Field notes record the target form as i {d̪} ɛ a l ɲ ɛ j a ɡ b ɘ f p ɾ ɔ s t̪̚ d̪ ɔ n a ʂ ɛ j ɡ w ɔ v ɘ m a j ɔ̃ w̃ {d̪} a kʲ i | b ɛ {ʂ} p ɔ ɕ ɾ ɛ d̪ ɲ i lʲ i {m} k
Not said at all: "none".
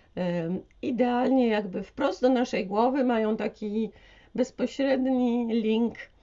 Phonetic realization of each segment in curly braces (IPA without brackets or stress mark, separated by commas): d̪, t̪, s, ŋ